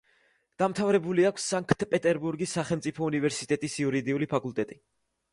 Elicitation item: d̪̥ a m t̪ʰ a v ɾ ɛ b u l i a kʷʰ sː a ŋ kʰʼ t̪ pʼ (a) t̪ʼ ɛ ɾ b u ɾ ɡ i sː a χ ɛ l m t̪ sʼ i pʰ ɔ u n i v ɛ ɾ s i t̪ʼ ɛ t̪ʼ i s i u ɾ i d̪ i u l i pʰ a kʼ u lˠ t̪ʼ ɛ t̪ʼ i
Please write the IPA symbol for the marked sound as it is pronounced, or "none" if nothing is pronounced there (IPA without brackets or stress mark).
ɛ